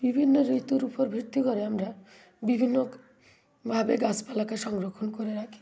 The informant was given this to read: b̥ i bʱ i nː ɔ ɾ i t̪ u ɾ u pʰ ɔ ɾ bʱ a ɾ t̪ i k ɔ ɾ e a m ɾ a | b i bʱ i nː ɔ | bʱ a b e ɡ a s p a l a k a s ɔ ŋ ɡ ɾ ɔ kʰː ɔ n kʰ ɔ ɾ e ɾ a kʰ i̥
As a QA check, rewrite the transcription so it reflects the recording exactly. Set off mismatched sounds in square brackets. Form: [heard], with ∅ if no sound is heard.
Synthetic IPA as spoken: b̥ i bʱ i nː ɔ ɾ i t̪ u ɾ u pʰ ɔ ɾ bʱ [i] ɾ t̪ i k ɔ ɾ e a m ɾ a | b i bʱ i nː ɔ | bʱ a b e ɡ a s p a l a k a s ɔ ŋ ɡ ɾ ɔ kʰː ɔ n [k] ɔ ɾ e ɾ a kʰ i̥